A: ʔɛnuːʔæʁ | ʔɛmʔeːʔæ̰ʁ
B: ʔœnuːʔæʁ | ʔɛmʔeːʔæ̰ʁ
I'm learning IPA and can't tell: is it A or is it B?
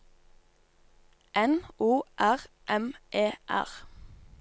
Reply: A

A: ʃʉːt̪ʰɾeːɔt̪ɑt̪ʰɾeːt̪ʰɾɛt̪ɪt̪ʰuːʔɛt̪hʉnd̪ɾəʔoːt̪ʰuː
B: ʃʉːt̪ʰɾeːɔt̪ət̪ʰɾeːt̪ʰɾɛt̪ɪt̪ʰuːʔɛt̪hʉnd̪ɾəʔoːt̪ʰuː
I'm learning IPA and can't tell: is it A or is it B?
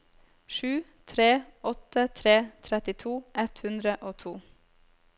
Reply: B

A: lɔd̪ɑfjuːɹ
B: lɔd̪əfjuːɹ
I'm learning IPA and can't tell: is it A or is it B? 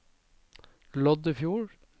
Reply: B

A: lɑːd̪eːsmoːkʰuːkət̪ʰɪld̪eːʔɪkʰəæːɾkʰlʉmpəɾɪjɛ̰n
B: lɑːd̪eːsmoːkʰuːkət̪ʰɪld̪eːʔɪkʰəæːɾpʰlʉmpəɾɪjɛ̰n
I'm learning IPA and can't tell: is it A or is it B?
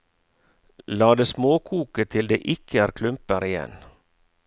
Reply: A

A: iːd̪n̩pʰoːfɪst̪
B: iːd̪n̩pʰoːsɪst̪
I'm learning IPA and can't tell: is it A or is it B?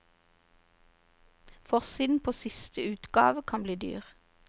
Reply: B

